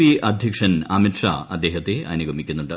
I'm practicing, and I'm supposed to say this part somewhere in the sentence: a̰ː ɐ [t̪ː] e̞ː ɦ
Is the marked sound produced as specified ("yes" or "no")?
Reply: no